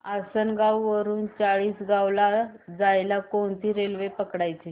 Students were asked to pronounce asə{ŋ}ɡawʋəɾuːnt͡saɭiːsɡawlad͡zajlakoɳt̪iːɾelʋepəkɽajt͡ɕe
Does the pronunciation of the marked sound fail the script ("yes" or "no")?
yes